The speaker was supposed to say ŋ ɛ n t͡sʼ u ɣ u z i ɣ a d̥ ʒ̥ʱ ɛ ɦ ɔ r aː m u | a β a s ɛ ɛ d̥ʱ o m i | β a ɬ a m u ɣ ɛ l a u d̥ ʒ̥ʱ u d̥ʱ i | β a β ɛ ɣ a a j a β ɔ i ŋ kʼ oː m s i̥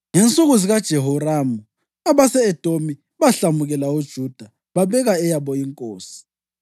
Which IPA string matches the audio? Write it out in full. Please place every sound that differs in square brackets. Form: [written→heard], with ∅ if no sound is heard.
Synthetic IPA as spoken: ŋ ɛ n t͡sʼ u ɣ u z i ɣ a d̥ ʒ̥ʱ ɛ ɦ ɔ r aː m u | a β a s ɛ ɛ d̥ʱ o m i | β a ɬ a m u ɣ ɛ l a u d̥ ʒ̥ʱ u d̥ʱ [i→a] | β a β ɛ ɣ a [a→ɛ] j a β ɔ i ŋ kʼ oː [m→∅] s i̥